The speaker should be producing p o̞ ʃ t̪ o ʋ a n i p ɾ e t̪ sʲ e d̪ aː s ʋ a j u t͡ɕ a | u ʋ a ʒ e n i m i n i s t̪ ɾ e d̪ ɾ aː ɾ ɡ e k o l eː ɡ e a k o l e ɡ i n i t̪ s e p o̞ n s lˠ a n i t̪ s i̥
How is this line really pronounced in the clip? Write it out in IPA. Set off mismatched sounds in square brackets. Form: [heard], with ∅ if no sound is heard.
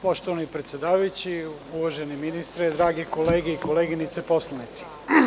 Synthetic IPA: p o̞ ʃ t̪ o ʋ a n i p ɾ e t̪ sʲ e d̪ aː [∅] ʋ a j u t͡ɕ [i] | u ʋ a ʒ e n i m i n i s t̪ ɾ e d̪ ɾ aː [∅] ɡ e k o l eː ɡ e [i] k o l e ɡ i n i t̪ s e p o̞ [∅] s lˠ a n i t̪ s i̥